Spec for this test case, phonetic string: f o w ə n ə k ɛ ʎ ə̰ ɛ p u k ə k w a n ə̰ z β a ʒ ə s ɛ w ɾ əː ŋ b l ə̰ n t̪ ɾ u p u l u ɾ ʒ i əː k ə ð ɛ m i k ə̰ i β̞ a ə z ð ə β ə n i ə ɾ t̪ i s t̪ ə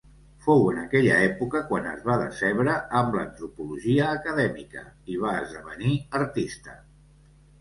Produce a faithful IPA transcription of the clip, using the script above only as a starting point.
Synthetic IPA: f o w ə n ə k ɛ ʎ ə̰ ɛ p u k ə k w a n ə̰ z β a ð ə s ɛ β ɾ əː m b l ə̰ n t̪ ɾ u p u l u ʒ i əː k ə ð ɛ m i k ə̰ i β̞ a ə z ð ə β ə n i ə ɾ t̪ i s t̪ ə